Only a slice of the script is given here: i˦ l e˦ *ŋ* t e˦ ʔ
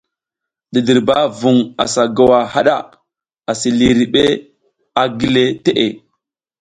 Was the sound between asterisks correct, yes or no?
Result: no